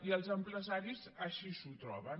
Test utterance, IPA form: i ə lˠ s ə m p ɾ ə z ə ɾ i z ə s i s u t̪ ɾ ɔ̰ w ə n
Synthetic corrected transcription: i ə lˠ z ə m p ɾ ə z a ɾ i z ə ʃ i s u t̪ ɾ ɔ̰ β ə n